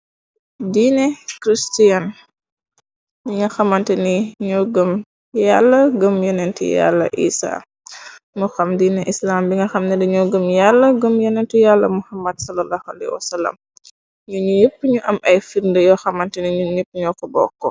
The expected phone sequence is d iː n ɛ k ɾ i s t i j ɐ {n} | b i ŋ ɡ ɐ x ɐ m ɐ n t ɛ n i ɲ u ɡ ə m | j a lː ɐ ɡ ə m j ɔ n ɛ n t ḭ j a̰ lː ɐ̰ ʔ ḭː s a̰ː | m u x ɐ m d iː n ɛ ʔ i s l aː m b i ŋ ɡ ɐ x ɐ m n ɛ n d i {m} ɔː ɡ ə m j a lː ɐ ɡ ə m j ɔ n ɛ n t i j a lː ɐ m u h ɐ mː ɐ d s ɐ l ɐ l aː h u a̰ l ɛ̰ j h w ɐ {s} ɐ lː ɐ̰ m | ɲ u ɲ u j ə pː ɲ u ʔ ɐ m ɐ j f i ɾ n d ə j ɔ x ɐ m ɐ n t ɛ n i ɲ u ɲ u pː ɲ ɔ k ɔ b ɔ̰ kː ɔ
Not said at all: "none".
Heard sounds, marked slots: n, ɲ, s

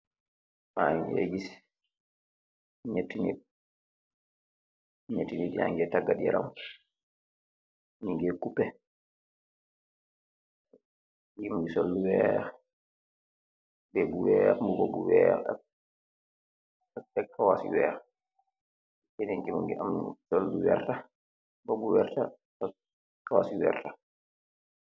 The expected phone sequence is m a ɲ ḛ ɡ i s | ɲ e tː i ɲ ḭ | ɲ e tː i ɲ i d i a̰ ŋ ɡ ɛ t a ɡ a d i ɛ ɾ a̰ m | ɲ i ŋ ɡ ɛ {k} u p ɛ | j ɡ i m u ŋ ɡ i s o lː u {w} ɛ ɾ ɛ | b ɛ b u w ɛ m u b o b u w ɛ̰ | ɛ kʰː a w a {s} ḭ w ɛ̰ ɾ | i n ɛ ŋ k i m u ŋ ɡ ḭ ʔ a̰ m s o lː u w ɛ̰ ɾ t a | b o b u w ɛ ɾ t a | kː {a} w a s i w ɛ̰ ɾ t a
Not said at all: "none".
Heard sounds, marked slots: k, w, s, a

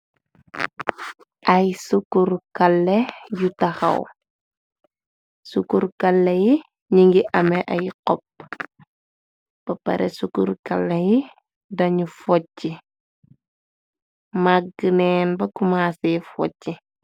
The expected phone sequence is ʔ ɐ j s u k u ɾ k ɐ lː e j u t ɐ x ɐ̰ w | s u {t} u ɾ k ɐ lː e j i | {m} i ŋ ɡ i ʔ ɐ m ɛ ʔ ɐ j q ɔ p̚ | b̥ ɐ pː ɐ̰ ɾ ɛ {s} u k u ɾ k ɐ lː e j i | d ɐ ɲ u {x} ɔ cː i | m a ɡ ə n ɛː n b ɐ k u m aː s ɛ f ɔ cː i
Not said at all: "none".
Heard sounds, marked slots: k, ɲ, s, f

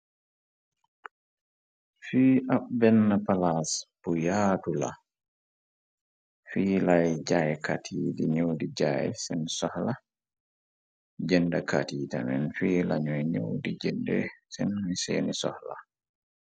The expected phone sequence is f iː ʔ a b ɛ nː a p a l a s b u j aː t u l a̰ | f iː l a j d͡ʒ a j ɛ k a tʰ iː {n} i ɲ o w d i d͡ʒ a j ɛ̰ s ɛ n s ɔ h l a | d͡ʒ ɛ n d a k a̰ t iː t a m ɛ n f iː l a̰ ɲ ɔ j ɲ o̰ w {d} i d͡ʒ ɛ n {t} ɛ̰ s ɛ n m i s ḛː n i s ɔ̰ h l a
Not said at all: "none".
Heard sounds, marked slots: d, d, d

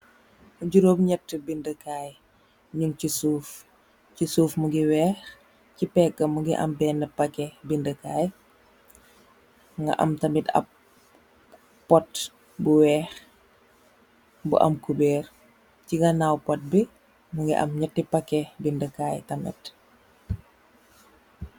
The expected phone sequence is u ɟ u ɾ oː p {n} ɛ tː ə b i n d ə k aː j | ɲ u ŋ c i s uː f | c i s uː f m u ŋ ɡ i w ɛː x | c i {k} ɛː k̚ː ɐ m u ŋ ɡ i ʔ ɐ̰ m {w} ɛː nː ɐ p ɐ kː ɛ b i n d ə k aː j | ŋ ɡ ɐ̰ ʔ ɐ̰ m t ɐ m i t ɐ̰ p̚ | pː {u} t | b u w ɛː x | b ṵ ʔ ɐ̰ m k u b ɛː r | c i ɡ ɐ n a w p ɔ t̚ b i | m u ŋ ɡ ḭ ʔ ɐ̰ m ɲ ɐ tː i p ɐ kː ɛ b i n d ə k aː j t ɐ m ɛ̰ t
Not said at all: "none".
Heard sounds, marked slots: ɲ, p, b, ɔ

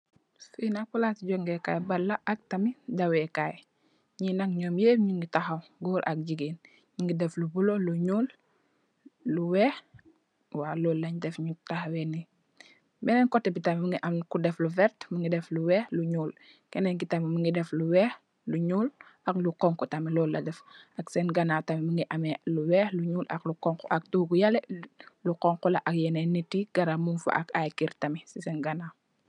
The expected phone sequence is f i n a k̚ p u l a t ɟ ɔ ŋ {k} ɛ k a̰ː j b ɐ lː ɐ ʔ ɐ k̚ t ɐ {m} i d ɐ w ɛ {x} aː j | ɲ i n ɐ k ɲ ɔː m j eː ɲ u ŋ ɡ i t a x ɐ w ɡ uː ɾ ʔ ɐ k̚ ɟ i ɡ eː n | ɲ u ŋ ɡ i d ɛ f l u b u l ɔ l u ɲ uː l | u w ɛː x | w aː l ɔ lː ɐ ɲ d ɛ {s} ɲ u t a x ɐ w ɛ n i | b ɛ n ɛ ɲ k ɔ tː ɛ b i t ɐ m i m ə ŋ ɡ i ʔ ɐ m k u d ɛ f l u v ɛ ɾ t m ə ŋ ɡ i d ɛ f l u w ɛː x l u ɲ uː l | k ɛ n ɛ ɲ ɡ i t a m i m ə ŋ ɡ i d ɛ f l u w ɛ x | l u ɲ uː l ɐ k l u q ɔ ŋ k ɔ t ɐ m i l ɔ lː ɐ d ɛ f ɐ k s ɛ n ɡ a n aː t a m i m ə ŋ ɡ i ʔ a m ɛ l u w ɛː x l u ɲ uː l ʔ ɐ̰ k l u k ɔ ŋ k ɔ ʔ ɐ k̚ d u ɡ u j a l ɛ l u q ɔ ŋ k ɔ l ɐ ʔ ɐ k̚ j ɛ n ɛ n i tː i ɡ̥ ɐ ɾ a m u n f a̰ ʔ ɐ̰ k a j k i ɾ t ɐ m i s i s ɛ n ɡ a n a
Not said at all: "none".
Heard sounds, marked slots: ɡ, m, k, f

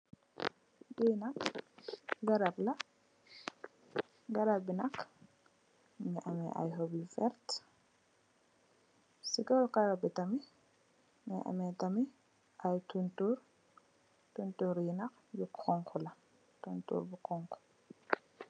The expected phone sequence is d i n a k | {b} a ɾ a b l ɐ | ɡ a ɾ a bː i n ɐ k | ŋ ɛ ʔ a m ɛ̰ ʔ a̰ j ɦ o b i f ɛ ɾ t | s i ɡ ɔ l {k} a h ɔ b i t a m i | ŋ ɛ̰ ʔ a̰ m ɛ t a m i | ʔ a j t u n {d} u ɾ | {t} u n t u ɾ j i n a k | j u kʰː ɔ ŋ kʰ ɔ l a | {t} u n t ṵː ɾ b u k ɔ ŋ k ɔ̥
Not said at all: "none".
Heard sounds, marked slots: ɡ, k, t, t, t

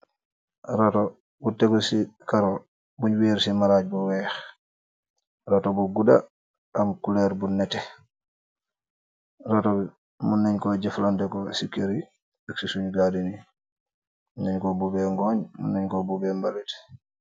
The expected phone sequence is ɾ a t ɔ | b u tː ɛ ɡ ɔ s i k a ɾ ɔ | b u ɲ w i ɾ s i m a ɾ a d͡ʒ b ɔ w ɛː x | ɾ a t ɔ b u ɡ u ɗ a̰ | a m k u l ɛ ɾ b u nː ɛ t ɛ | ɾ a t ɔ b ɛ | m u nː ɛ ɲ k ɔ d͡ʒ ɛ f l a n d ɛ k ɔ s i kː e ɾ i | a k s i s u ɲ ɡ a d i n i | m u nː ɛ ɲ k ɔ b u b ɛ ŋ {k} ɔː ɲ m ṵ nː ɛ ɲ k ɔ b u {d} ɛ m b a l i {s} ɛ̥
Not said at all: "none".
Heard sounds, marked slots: ɡ, b, t

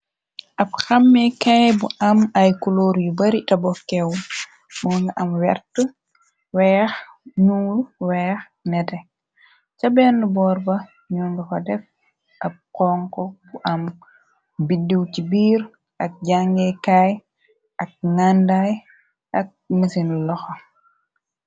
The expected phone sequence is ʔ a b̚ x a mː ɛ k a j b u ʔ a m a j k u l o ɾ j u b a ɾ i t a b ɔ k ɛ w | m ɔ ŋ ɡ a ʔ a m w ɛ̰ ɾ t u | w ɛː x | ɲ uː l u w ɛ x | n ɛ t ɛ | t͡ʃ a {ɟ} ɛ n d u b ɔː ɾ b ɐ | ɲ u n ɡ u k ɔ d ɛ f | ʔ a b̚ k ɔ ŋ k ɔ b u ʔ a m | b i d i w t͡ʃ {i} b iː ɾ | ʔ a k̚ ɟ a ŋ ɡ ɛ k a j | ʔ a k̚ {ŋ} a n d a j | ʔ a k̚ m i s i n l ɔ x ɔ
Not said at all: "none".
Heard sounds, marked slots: b, i, ŋ

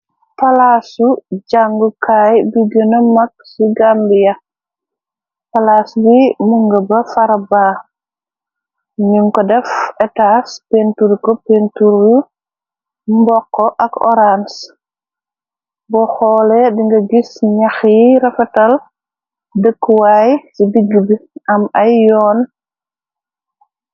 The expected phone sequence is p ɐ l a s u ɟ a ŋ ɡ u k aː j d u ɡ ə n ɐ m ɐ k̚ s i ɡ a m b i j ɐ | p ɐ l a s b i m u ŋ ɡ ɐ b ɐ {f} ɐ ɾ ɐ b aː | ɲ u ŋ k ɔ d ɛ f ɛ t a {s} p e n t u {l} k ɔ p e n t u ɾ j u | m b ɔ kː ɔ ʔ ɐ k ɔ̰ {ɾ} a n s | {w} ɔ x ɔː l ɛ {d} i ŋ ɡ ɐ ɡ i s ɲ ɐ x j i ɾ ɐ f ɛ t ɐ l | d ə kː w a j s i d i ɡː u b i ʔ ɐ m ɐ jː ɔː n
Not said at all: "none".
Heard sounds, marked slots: f, s, ɾ, ɾ, b, d

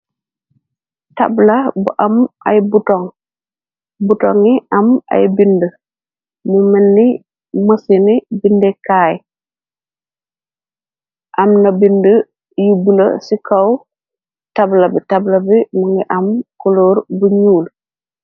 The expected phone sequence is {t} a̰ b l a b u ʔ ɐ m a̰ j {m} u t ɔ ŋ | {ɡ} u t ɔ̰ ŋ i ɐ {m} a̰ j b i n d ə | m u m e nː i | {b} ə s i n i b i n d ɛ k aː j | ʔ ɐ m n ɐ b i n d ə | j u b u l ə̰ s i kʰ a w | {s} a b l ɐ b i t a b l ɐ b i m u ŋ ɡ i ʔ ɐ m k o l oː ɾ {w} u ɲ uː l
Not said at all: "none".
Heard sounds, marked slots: t, b, b, m, m, t, b

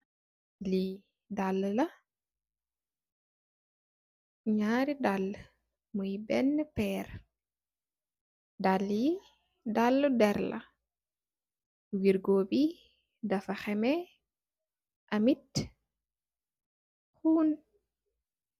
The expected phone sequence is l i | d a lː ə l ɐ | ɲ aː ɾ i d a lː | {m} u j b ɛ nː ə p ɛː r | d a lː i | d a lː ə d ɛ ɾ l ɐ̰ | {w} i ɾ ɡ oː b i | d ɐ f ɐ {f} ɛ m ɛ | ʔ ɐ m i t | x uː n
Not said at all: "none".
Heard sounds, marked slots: m, w, x

